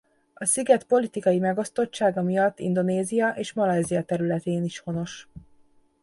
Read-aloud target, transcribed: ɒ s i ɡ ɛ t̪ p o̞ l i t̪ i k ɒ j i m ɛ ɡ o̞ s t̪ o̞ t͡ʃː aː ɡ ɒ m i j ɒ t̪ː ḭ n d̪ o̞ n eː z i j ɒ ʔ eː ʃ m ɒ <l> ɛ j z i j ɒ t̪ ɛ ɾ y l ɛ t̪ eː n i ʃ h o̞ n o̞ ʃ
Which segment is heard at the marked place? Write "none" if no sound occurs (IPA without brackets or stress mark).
l